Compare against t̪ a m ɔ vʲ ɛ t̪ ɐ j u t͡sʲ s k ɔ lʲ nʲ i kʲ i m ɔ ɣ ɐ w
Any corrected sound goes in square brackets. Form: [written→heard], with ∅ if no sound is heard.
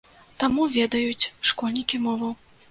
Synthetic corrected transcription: t̪ a m [ɔ→u] vʲ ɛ [t̪→d̪] ɐ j u t͡sʲ [s→ʂ] k ɔ lʲ nʲ i kʲ i m ɔ [ɣ→v] ɐ w